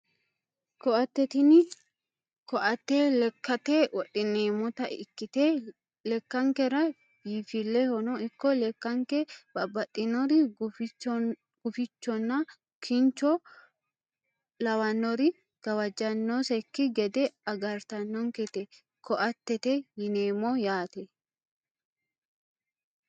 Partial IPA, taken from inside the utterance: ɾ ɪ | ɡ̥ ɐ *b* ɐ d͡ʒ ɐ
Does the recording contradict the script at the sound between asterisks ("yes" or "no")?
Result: yes